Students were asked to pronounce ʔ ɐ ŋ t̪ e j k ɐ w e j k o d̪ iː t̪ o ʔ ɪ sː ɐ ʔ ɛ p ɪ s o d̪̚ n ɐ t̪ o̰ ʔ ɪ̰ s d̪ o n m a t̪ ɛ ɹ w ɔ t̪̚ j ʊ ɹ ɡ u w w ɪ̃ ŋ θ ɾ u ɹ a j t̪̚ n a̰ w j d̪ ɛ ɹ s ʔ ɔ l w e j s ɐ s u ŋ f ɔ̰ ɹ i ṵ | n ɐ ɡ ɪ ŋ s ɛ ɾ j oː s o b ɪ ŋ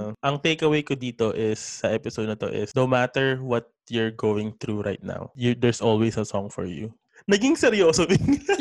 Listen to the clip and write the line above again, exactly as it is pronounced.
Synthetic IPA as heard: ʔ ɐ ŋ t̪ e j k ɐ w e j k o d̪ iː t̪ o ʔ ɪ sː ɐ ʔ ɛ p ɪ s o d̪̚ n ɐ t̪ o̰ ʔ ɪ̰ s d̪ o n m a t̪ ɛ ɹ w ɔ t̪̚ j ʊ ɹ ɡ o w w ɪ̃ ŋ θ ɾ u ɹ a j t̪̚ n a̰ w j d̪ ɛ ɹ s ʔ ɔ l w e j s ɐ s ɔ ŋ f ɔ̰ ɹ j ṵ | n ɐ ɡ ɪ ŋ s ɛ ɾ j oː s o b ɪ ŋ